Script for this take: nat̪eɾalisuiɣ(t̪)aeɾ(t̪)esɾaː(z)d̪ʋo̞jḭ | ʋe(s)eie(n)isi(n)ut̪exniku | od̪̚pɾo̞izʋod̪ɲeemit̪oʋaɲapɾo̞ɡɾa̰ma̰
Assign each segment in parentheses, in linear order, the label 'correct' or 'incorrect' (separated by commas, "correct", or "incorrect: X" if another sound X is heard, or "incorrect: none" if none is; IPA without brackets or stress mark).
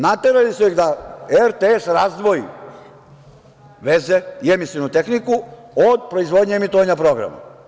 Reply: incorrect: d̪, correct, correct, incorrect: z, incorrect: m, correct